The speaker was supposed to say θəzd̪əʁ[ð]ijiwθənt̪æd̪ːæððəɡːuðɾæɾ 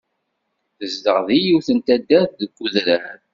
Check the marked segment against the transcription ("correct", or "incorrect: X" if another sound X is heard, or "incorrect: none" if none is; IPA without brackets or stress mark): correct